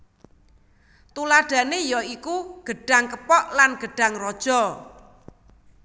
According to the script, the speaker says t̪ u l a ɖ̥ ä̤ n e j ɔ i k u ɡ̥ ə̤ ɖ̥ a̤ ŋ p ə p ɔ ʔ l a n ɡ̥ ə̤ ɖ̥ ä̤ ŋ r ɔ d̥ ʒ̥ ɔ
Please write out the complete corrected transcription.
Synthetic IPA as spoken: t̪ u l a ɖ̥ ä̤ n e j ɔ i k u ɡ̥ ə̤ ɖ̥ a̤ ŋ k ə p ɔ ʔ l a n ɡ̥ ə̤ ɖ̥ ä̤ ŋ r ɔ d̥ ʒ̥ ɔ